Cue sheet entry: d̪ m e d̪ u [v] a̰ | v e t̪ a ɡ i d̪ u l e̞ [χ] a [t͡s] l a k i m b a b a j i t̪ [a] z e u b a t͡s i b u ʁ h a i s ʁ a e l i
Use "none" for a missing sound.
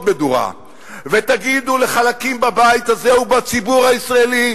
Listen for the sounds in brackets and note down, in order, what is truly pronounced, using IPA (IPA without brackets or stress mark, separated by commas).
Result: ʁ, χ, none, a